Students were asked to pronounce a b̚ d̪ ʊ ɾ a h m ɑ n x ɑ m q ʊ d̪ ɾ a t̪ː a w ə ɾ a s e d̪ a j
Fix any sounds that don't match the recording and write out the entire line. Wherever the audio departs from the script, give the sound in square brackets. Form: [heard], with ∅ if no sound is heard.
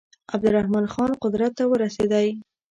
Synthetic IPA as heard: a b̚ d̪ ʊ ɾ a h m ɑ n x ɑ [n] q ʊ d̪ ɾ a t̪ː a w ə ɾ a s e d̪ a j